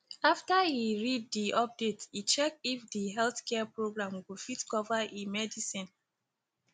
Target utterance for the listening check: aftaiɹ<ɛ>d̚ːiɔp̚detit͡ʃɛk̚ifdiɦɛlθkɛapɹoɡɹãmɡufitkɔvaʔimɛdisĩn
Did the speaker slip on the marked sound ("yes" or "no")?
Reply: yes